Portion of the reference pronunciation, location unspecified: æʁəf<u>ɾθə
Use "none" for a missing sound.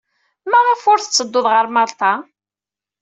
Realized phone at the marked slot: ʊ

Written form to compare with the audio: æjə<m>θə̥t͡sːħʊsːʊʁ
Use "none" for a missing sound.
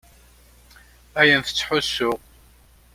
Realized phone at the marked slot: n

